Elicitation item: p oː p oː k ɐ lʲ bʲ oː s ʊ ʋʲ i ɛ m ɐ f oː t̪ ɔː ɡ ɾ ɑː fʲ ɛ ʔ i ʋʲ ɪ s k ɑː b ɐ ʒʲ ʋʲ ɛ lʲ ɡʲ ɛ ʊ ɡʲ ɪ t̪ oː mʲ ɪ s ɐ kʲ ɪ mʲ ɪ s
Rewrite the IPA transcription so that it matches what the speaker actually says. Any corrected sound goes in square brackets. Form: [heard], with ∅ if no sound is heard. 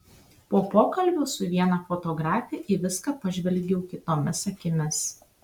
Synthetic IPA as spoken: p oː p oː k ɐ lʲ bʲ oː s ʊ ʋʲ i ɛ [n] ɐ f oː t̪ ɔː ɡ ɾ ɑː fʲ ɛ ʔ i ʋʲ ɪ s k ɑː [p] ɐ ʒʲ ʋʲ ɛ lʲ ɡʲ ɛ ʊ [kʲ] ɪ t̪ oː mʲ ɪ s ɐ kʲ ɪ mʲ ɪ s

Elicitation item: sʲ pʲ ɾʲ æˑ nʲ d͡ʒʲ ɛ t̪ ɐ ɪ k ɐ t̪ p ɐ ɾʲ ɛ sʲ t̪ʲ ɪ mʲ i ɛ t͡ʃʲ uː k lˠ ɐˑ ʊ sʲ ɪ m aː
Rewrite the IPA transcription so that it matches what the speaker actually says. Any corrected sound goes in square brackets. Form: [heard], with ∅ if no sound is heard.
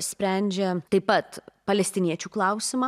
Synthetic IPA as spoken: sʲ pʲ ɾʲ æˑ nʲ d͡ʒʲ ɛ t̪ ɐ ɪ [p] ɐ t̪ p ɐ [lʲ] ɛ sʲ t̪ʲ ɪ [nʲ] i ɛ t͡ʃʲ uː k lˠ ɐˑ ʊ sʲ ɪ m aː

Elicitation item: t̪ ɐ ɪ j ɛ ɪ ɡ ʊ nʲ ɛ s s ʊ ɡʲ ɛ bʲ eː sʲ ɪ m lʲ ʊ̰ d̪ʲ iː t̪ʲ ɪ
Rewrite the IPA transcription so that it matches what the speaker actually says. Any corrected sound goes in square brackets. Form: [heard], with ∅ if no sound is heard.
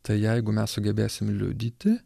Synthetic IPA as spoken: t̪ ɐ ɪ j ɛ ɪ ɡ ʊ [mʲ] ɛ s s ʊ ɡʲ ɛ bʲ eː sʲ ɪ m lʲ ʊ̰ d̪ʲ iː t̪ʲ ɪ

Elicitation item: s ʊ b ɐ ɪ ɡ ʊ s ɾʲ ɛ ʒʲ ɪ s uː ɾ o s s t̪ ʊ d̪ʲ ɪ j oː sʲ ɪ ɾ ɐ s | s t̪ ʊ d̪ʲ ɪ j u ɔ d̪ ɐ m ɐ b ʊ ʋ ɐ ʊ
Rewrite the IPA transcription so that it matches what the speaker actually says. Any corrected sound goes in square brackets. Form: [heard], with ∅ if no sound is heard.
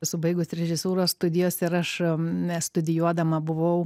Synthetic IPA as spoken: s ʊ b ɐ ɪ ɡ ʊ s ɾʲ ɛ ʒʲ ɪ s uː ɾ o s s t̪ ʊ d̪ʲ ɪ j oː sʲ ɪ ɾ ɐ [ʃ] | s t̪ ʊ d̪ʲ ɪ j u ɔ d̪ ɐ m ɐ b ʊ ʋ ɐ ʊ

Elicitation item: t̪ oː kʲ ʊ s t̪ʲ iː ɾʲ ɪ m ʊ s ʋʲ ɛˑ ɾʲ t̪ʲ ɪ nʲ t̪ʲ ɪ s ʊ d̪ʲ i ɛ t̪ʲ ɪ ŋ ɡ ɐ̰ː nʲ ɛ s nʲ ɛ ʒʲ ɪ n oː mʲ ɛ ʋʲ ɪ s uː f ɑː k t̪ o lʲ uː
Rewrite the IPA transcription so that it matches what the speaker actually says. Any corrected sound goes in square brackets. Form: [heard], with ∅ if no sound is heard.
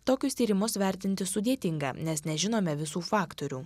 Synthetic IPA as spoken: t̪ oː kʲ ʊ s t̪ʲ iː ɾʲ ɪ m ʊ s ʋʲ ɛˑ ɾʲ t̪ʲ ɪ nʲ t̪ʲ ɪ s ʊ d̪ʲ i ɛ t̪ʲ ɪ ŋ ɡ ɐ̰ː nʲ ɛ s nʲ ɛ ʒʲ ɪ n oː mʲ ɛ ʋʲ ɪ s uː f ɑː k t̪ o [ɾʲ] uː

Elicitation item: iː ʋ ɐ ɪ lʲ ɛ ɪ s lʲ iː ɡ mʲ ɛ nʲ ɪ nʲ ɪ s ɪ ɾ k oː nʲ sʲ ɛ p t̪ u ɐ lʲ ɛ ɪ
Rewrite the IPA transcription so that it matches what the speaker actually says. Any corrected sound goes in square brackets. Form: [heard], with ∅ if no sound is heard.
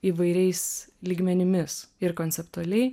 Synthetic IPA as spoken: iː ʋ ɐ ɪ [ɾʲ] ɛ ɪ s lʲ iː ɡ mʲ ɛ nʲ ɪ [mʲ] ɪ s ɪ ɾ k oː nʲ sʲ ɛ p t̪ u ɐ lʲ ɛ ɪ

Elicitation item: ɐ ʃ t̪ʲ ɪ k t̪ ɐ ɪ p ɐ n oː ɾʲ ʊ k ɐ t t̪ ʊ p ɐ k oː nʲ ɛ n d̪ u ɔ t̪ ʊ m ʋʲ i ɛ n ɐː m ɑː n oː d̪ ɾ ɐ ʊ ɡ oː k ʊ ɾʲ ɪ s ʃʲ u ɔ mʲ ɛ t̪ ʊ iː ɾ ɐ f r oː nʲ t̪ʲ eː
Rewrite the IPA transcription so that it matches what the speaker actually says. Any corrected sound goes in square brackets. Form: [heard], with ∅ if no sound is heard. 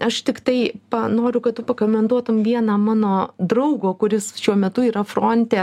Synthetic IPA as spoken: ɐ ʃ t̪ʲ ɪ k t̪ ɐ ɪ p ɐ n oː ɾʲ ʊ k ɐ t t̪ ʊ p ɐ k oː [mʲ] ɛ n d̪ u ɔ t̪ ʊ m ʋʲ i ɛ n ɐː m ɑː n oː d̪ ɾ ɐ ʊ ɡ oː k ʊ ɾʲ ɪ s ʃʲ u ɔ mʲ ɛ t̪ ʊ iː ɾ ɐ f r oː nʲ t̪ʲ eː

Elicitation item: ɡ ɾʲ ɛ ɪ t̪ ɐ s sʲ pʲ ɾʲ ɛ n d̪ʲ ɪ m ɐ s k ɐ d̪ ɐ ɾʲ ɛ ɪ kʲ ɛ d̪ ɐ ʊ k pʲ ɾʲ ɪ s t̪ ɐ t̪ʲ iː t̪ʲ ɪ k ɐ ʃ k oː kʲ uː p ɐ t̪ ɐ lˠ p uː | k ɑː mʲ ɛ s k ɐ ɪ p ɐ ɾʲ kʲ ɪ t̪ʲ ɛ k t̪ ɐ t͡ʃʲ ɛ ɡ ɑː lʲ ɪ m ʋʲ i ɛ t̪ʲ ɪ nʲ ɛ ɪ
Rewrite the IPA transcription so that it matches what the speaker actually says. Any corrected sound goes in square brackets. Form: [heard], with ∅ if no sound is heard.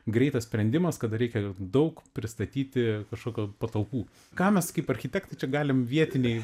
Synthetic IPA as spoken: ɡ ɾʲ ɛ ɪ t̪ ɐ s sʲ pʲ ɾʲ ɛ n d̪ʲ ɪ m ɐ s k ɐ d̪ ɐ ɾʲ ɛ ɪ kʲ ɛ d̪ ɐ ʊ k pʲ ɾʲ ɪ s t̪ ɐ t̪ʲ iː t̪ʲ ɪ k ɐ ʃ k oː kʲ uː p ɐ t̪ ɐ lˠ p uː | k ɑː mʲ ɛ s k ɐ ɪ p ɐ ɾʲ [xʲ] ɪ t̪ʲ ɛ k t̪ ɐ t͡ʃʲ ɛ ɡ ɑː lʲ ɪ m ʋʲ i ɛ t̪ʲ ɪ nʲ ɛ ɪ

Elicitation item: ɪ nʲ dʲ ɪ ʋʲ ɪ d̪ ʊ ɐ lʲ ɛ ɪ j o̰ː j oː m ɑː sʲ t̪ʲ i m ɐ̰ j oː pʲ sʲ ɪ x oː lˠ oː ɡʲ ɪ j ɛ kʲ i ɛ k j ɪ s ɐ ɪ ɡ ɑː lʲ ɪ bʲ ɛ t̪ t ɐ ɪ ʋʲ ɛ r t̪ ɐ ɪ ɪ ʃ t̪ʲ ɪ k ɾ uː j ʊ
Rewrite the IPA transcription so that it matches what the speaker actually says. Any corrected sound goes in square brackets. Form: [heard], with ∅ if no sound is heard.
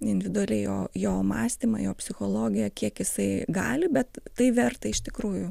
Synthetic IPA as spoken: ɪ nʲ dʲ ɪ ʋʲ ɪ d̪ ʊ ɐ lʲ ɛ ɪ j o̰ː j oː m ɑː sʲ t̪ʲ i m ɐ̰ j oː pʲ sʲ ɪ x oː lˠ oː ɡʲ ɪ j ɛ kʲ i ɛ k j ɪ s ɐ ɪ ɡ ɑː lʲ ɪ bʲ ɛ t̪ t ɐ ɪ ʋʲ ɛ r t̪ ɐ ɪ ɪ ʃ t̪ʲ ɪ k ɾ uː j ʊ

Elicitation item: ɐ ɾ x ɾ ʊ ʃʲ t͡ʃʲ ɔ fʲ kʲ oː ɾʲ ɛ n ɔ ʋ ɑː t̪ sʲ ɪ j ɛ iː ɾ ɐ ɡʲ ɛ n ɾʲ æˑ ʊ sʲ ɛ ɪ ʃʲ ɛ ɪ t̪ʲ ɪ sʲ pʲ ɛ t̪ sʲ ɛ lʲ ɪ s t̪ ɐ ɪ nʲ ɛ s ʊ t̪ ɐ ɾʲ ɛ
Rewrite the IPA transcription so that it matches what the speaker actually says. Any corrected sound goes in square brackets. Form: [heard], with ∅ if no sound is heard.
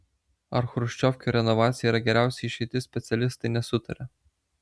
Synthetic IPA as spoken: ɐ ɾ x ɾ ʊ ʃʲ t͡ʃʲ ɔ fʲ kʲ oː ɾʲ ɛ n ɔ ʋ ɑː t̪ sʲ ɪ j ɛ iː ɾ ɐ ɡʲ ɛ [∅] ɾʲ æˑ ʊ sʲ ɛ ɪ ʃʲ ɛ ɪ t̪ʲ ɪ sʲ pʲ ɛ t̪ sʲ ɛ lʲ ɪ s t̪ ɐ ɪ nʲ ɛ s ʊ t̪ ɐ ɾʲ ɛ

